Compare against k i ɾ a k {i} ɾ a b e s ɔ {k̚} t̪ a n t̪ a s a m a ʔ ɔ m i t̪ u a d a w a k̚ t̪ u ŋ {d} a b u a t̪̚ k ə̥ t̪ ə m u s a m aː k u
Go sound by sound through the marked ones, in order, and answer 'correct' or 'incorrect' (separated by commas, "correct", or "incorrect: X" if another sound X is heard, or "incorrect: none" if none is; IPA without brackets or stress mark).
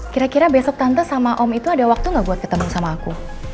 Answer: correct, correct, incorrect: ɡ